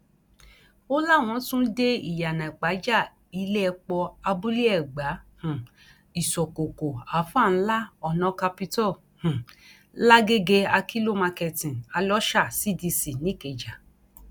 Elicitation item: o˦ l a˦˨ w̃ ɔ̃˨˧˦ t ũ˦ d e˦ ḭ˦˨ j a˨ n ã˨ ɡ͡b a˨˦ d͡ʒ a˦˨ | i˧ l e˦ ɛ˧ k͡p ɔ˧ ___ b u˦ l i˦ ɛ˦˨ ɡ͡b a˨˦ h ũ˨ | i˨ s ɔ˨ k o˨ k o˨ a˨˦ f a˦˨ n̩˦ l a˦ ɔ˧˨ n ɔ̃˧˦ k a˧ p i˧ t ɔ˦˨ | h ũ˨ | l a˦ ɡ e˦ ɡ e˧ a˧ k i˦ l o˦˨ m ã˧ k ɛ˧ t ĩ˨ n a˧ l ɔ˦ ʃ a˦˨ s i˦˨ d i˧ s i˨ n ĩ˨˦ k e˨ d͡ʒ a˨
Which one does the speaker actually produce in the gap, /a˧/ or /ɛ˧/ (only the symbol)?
a˧